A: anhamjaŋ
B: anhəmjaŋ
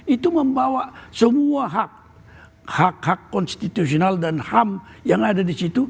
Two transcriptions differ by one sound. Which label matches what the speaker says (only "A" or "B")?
A